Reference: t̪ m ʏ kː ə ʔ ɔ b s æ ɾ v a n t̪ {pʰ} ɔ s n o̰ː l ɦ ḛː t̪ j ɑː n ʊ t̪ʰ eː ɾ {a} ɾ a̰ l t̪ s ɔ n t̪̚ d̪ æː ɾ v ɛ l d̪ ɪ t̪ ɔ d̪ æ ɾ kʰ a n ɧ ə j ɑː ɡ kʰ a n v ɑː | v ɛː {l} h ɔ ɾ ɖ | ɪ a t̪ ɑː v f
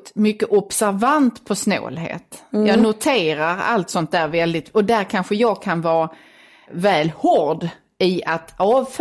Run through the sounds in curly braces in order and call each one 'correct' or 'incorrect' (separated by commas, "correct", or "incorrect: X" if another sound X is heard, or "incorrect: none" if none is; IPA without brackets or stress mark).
correct, correct, correct